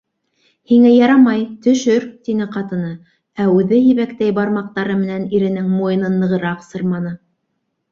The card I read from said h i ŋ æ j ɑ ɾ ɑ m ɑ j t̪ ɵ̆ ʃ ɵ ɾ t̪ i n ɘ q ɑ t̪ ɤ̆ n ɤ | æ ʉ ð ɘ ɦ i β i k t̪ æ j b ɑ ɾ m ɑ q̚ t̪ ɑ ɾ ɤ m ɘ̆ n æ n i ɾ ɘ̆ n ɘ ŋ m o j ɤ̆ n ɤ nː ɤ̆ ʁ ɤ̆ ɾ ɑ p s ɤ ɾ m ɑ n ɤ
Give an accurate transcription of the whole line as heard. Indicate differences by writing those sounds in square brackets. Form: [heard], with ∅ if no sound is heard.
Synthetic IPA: h i ŋ æ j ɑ ɾ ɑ m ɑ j t̪ ɵ̆ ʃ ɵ ɾ t̪ i n ɘ q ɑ t̪ ɤ̆ n ɤ | æ ʉ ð ɘ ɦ i β [æ] k t̪ æ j b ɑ ɾ m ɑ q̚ t̪ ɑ ɾ ɤ m ɘ̆ n æ n i ɾ ɘ̆ n ɘ ŋ m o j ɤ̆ n ɤ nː ɤ̆ ʁ ɤ̆ ɾ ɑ [q] s ɤ ɾ m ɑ n ɤ